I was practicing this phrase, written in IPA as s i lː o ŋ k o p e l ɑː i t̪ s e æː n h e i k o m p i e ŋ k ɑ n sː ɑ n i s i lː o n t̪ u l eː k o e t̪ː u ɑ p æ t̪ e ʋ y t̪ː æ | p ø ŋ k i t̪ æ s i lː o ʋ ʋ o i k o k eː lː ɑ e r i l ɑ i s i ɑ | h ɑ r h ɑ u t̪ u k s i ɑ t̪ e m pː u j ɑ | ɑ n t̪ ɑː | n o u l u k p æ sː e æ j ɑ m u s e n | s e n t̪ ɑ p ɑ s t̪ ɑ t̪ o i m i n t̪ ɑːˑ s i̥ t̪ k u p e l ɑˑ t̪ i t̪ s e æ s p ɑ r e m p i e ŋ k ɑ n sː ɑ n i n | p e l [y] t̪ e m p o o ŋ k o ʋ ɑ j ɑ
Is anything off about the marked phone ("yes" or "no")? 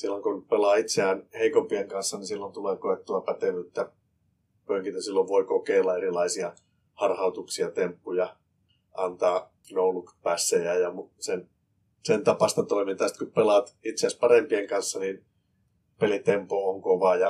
yes